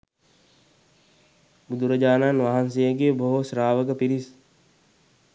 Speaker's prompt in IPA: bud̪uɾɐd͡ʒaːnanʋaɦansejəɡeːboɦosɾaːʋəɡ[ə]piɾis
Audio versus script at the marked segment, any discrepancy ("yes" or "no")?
no